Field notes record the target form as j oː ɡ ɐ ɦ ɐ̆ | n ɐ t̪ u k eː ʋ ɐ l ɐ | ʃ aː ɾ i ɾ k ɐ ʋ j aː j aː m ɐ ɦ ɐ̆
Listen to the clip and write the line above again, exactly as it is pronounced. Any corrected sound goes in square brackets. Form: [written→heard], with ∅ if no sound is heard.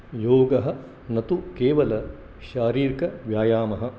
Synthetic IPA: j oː ɡ ɐ ɦ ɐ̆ | n ɐ t̪ u k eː ʋ ɐ l ɐ | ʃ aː ɾ [i→iː] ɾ k ɐ ʋ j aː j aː m ɐ ɦ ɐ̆